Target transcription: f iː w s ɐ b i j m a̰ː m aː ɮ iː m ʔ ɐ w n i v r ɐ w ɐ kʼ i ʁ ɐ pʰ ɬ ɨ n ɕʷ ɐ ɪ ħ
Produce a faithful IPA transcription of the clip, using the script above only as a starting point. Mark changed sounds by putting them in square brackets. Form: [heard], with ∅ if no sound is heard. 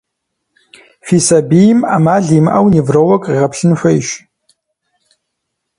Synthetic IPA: f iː [∅] s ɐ b i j m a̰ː m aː ɮ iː m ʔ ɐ w n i v r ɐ w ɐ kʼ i ʁ ɐ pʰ ɬ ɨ n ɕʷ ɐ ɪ [ʃ]